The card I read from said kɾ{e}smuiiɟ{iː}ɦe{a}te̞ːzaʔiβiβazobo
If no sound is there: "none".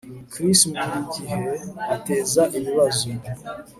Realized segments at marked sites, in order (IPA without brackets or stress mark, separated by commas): i, i, a